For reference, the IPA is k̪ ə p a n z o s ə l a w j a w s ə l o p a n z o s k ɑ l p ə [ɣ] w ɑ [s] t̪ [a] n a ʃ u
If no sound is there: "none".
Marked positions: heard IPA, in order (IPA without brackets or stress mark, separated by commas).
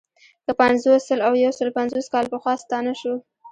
x, s, ɑ